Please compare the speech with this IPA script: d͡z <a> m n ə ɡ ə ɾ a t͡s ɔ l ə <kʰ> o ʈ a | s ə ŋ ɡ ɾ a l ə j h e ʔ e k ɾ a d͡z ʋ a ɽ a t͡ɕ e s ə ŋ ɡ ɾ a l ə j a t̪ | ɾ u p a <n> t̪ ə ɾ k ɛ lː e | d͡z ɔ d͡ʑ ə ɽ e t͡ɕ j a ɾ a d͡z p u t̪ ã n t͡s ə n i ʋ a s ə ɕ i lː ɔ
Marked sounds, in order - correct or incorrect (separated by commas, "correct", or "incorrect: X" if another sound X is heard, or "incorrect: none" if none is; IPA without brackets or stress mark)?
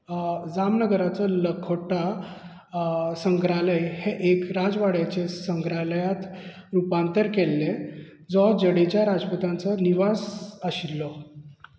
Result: correct, correct, correct